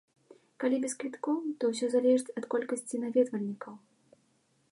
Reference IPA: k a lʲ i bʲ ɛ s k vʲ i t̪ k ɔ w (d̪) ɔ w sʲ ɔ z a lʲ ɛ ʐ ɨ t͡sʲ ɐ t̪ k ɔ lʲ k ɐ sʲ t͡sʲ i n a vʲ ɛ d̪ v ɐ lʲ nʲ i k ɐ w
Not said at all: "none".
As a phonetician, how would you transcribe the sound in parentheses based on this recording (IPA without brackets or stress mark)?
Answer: t̪